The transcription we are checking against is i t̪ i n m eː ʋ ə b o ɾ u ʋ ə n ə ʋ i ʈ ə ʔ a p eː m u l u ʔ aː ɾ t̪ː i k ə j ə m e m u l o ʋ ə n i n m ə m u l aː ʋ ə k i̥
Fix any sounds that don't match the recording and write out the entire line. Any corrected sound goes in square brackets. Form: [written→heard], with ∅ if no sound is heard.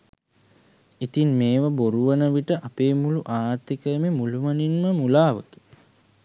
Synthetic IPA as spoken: i t̪ i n m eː ʋ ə b o ɾ u ʋ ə n ə ʋ i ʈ ə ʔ a p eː m u l u ʔ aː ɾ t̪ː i k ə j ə m e m u l [o→u] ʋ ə n i n m ə m u l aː ʋ ə k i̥

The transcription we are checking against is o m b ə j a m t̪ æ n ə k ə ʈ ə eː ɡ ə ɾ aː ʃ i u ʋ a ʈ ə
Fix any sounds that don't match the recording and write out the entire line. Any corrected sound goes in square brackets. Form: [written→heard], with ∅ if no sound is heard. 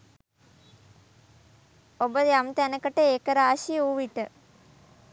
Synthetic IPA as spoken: o [m→∅] b ə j a m t̪ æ n ə k ə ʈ ə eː [ɡ→k] ə ɾ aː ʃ i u ʋ [a→i] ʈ ə

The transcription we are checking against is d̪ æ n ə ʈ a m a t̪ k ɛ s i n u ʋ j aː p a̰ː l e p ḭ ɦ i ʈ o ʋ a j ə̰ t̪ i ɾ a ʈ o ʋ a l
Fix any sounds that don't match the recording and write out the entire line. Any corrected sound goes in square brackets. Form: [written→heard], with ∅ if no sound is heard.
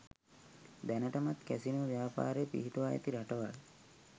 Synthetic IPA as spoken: d̪ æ n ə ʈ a m a t̪ k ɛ s i n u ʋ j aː p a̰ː [l→ɾ] e p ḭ ɦ i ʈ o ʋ a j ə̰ t̪ i ɾ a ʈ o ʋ a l

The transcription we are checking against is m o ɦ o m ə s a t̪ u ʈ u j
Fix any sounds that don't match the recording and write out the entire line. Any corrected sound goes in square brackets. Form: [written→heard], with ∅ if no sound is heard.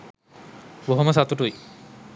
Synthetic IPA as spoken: [m→b] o ɦ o m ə s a t̪ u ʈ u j

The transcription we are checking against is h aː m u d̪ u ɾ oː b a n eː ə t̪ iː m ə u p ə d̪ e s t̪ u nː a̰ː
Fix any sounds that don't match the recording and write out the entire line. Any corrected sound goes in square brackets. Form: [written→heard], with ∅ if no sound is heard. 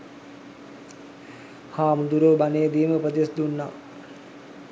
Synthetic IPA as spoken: h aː m u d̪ u ɾ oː b a n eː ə [t̪→d̪] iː m ə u p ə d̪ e s [t̪→d̪] u nː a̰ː

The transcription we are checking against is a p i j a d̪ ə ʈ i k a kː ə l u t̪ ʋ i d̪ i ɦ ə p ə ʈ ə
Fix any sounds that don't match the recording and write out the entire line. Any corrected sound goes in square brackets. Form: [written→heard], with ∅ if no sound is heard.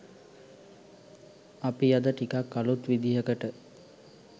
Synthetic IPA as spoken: a p i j a d̪ ə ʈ i k a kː [ə→a] l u t̪ ʋ i d̪ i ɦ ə [p→k] ə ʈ ə

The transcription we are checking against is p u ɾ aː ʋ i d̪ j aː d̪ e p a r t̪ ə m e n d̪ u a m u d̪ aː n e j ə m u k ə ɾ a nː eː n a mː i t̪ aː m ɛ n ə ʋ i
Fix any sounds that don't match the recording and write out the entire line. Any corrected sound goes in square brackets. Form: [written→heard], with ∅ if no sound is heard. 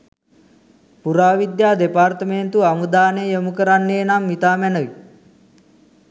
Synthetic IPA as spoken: p u ɾ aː ʋ i d̪ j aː d̪ e p a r t̪ ə m e n [d̪→t̪] u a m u d̪ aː n e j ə m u k ə ɾ a nː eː n a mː i t̪ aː m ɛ n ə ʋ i

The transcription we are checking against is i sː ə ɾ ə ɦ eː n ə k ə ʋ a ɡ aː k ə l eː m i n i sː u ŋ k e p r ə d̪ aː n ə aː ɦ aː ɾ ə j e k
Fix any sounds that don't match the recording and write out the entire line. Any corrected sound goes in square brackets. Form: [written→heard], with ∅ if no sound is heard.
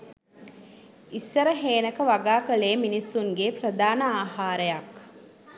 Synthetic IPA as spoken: i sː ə ɾ ə ɦ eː n ə k ə ʋ a ɡ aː k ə l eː m i n i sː u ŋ [k→ɡ] e p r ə d̪ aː n ə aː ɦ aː ɾ ə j [e→a] k

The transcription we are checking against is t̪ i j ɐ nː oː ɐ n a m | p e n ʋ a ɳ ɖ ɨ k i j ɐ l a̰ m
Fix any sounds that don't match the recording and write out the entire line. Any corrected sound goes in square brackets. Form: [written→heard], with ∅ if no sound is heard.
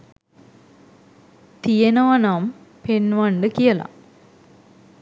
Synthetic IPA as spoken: t̪ i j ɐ [nː→n] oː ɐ n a m | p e n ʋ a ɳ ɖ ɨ k i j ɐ l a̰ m

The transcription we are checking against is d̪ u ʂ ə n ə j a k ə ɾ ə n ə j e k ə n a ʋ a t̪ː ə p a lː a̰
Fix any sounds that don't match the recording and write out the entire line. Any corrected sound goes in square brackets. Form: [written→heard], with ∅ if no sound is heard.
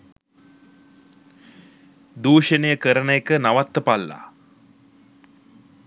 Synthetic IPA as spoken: d̪ [u→uː] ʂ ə n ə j [a→ə] k ə ɾ ə n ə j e k ə n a ʋ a t̪ː ə p a lː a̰

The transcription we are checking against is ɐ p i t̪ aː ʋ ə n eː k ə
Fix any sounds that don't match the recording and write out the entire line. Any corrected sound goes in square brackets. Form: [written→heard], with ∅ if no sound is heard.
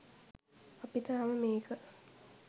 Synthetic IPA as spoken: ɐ p i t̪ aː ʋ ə [n→m] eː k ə

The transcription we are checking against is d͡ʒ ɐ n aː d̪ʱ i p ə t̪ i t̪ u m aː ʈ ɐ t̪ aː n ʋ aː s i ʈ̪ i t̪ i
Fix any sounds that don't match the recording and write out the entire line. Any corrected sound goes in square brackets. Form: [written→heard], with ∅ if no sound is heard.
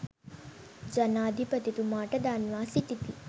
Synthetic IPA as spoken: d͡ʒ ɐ n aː d̪ʱ i p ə t̪ i t̪ u m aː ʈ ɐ [t̪→d̪] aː n ʋ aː s i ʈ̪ i t̪ i

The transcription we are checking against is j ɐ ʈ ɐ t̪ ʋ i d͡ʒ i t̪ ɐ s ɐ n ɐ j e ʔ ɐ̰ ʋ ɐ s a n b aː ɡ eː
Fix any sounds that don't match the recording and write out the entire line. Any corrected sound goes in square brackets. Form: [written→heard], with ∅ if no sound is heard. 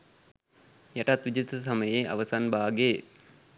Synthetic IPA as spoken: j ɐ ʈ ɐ t̪ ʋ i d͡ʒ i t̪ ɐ s ɐ [n→m] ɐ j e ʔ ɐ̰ ʋ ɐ s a n b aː ɡ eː

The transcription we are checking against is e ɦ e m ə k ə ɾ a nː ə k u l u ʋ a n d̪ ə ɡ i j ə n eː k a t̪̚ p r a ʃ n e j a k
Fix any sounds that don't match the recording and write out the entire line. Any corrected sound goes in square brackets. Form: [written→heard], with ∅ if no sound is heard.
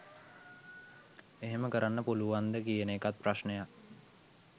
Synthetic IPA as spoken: e ɦ e m ə k ə ɾ a nː ə [k→p] u l u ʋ a n d̪ ə [ɡ→k] i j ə n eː k a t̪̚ p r a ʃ n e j a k

